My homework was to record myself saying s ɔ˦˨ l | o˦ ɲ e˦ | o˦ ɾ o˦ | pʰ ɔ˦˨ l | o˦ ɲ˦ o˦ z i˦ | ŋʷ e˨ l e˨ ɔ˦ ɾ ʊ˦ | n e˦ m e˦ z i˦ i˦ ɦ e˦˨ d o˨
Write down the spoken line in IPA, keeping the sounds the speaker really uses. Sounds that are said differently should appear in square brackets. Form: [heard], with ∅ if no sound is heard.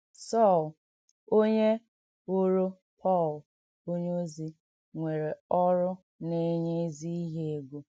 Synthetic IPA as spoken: s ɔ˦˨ l | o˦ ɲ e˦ | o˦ ɾ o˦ | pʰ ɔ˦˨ l | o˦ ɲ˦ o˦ z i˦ | ŋʷ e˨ [ɾ] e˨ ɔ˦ ɾ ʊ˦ | n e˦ [ɲ] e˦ z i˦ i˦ ɦ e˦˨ [ɡ] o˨